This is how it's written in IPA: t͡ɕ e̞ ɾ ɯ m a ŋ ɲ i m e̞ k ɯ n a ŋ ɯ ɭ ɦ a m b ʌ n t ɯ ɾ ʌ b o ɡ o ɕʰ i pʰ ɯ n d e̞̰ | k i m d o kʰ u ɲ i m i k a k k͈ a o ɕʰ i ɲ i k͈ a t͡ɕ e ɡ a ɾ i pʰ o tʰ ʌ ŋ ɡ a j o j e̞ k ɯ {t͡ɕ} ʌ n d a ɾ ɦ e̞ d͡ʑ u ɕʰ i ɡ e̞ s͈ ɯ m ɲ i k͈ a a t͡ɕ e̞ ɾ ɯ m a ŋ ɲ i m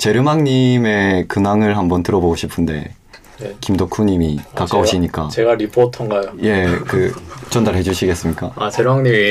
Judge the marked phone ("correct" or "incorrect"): correct